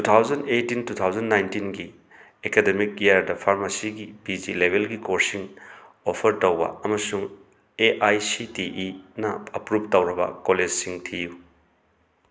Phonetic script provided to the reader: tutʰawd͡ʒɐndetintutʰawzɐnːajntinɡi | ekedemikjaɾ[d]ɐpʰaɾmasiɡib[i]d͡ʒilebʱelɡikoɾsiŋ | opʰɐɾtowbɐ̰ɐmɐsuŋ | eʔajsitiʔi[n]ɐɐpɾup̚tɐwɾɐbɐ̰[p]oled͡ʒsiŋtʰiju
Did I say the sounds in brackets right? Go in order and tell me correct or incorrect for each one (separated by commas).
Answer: correct, correct, correct, incorrect